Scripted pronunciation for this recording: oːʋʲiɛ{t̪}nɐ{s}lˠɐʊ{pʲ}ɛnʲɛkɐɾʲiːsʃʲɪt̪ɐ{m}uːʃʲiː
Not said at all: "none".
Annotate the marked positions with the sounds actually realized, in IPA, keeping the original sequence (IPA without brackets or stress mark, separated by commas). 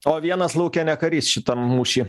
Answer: none, s, kʲ, m